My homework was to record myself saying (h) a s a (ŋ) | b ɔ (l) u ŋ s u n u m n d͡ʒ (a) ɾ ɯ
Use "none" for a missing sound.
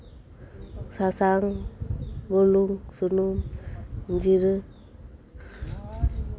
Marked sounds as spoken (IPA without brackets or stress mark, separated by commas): s, ŋ, l, i